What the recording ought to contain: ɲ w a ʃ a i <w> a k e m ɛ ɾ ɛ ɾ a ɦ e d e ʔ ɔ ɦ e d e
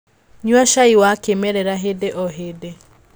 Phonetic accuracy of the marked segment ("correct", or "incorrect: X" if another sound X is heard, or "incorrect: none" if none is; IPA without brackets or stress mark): correct